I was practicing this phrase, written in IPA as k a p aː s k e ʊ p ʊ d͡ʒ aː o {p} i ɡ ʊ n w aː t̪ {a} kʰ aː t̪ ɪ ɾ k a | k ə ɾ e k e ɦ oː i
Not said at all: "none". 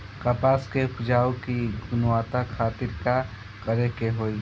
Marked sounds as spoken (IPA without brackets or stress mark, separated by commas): k, a